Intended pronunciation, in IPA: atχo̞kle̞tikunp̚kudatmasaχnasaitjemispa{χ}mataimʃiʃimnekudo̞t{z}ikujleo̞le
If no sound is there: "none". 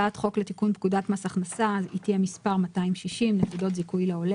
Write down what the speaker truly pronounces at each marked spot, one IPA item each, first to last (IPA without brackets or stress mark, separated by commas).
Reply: ʁ, z